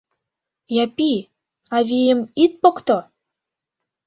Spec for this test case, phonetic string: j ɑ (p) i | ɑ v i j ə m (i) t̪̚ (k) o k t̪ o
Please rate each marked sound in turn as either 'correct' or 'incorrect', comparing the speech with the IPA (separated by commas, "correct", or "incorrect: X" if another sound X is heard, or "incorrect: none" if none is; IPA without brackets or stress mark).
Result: correct, correct, incorrect: p